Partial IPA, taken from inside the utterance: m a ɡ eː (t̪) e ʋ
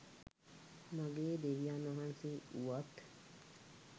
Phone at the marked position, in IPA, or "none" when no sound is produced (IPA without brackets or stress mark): d̪